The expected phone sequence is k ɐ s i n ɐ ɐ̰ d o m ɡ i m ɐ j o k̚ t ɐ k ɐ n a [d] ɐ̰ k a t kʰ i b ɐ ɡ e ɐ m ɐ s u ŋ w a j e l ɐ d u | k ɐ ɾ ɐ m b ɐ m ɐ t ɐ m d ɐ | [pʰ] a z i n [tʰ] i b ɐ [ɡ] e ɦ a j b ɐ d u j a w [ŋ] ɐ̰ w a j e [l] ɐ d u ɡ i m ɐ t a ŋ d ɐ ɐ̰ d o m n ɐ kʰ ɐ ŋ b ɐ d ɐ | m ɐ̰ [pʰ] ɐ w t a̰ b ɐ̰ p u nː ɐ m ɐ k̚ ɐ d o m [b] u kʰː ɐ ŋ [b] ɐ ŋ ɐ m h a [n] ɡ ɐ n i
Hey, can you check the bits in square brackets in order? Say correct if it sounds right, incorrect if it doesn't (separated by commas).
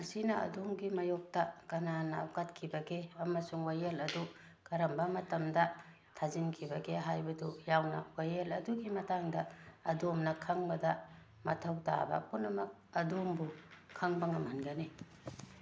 incorrect, incorrect, incorrect, correct, incorrect, correct, incorrect, correct, correct, correct